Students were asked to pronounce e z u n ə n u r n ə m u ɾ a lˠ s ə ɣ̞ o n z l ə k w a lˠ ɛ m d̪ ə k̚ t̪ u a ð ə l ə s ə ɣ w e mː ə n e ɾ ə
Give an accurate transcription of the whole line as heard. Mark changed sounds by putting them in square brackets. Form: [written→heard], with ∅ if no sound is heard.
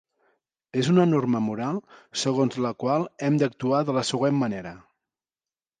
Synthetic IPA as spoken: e z u n ə n [u→o] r [n→m] ə m u ɾ a lˠ s ə ɣ̞ o n z l ə k w a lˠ ɛ m d̪ ə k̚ t̪ u a ð ə l ə s ə ɣ w e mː ə n e ɾ ə